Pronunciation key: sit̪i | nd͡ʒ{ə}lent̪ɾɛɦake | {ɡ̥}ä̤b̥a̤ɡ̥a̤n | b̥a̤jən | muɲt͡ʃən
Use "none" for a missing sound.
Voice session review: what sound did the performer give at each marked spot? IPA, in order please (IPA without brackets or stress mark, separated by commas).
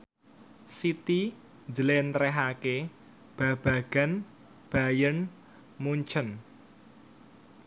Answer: ə, b̥